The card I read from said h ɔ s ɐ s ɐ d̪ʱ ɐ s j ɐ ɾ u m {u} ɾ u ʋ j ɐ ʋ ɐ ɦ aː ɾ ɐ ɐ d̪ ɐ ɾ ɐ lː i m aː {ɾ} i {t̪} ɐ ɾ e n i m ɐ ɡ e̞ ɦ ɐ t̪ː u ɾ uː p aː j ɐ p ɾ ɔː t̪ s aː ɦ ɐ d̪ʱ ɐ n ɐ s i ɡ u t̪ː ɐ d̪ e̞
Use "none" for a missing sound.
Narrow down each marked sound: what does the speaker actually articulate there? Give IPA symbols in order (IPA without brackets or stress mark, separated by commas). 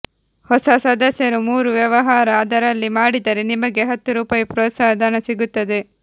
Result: uː, ɽ, d̪